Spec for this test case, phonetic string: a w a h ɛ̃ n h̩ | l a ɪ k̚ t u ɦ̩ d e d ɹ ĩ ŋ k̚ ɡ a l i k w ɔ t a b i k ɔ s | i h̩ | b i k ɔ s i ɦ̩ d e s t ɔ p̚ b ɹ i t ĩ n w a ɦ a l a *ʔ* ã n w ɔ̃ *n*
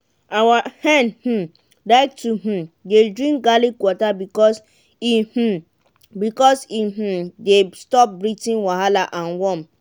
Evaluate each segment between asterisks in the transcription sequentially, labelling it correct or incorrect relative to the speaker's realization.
correct, incorrect

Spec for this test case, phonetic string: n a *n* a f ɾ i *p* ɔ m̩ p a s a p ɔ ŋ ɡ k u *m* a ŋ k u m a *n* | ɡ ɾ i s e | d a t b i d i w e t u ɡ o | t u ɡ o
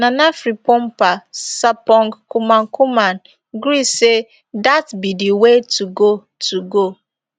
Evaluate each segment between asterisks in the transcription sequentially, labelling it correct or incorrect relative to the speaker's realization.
correct, correct, correct, correct

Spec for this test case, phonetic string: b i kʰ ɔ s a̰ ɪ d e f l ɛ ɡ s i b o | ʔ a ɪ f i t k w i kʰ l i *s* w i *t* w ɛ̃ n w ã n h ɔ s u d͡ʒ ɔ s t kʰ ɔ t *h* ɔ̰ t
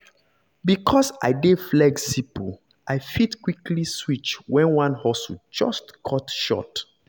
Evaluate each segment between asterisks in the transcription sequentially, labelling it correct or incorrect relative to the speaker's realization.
correct, incorrect, incorrect

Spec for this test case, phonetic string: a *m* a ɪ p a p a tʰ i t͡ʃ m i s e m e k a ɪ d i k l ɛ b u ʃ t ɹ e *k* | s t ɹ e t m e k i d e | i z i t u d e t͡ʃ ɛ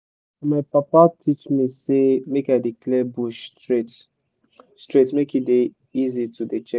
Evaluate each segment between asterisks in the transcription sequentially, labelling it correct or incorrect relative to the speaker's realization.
correct, incorrect

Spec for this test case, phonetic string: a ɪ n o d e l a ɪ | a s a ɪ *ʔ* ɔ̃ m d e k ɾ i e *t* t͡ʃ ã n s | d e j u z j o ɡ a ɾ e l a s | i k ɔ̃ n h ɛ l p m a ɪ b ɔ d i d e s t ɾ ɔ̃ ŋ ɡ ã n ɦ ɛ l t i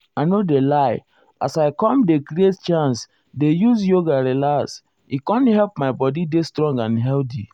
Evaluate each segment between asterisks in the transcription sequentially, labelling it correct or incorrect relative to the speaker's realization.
incorrect, correct

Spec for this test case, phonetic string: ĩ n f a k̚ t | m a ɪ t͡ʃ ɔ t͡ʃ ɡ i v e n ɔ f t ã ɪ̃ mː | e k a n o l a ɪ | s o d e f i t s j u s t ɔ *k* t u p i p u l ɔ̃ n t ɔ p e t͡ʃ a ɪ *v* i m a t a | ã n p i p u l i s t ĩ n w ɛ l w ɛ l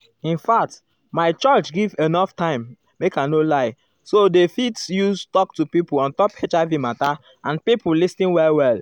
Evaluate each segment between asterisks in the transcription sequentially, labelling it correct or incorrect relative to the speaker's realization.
correct, correct

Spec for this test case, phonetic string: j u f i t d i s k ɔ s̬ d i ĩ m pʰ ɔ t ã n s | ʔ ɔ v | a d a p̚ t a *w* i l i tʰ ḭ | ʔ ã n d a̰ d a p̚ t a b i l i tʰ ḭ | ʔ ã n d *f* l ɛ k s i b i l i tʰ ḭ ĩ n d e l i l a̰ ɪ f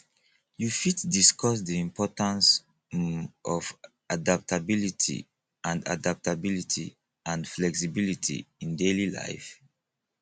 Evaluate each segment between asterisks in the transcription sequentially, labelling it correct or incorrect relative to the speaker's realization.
incorrect, correct

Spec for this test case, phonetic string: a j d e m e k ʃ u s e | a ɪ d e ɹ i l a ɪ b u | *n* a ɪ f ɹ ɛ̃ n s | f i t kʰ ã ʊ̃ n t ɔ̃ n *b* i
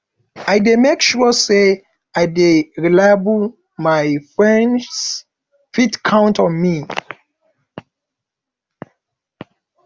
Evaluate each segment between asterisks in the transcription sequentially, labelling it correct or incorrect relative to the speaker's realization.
incorrect, incorrect

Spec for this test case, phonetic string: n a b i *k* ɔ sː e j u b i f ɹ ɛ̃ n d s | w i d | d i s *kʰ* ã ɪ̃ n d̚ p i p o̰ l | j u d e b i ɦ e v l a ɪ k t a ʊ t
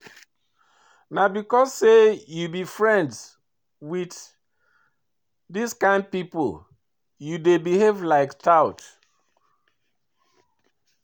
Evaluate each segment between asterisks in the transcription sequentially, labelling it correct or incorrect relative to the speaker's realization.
correct, incorrect

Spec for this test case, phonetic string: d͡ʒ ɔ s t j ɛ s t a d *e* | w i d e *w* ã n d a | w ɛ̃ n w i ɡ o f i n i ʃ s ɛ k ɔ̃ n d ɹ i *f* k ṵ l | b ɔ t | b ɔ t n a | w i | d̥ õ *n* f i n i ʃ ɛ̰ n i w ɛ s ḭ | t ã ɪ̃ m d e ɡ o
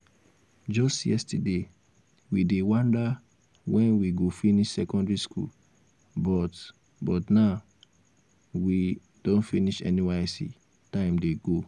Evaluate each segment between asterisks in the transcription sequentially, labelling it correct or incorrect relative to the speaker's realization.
correct, correct, incorrect, correct

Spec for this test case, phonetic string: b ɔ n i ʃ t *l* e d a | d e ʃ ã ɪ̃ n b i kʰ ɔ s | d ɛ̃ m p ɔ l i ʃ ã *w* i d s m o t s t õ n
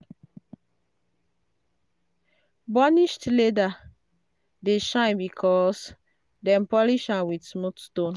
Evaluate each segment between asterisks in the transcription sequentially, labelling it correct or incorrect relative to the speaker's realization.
correct, correct

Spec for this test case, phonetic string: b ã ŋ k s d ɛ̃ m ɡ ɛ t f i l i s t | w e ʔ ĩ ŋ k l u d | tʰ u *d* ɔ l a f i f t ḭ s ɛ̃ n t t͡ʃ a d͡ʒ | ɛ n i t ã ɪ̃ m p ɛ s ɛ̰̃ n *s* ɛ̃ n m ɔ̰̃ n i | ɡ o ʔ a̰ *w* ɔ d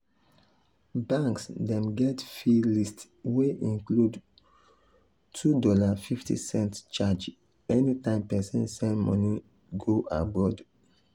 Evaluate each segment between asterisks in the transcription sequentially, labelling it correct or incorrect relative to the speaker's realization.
correct, correct, incorrect

